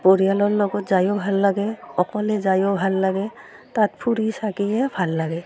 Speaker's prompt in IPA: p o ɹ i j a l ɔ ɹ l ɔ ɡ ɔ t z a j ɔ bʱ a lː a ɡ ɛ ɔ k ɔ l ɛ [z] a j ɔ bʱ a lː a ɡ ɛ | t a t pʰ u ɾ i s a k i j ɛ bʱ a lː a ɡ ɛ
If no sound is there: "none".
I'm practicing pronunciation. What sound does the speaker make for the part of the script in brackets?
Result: z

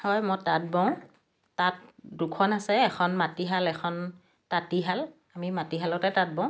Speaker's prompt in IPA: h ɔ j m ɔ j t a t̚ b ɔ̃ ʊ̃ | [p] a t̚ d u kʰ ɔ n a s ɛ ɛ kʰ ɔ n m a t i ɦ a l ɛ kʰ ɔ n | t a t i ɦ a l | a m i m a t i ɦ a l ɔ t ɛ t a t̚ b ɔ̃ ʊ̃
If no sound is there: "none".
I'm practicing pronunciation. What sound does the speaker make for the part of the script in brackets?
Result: t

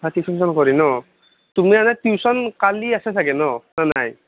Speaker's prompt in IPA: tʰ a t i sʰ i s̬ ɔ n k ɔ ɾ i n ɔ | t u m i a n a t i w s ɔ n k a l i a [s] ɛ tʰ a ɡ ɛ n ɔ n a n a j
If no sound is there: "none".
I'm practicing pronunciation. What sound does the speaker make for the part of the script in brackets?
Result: s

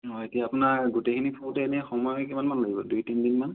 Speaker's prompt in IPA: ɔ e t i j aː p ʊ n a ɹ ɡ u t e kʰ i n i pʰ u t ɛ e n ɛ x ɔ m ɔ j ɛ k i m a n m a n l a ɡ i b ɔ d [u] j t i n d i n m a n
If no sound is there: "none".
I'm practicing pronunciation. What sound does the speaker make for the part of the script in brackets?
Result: u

